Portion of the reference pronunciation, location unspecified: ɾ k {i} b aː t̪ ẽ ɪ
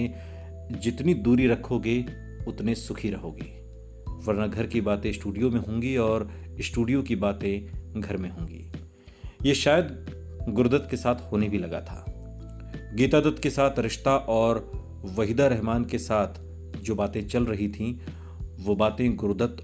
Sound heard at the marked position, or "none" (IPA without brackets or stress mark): i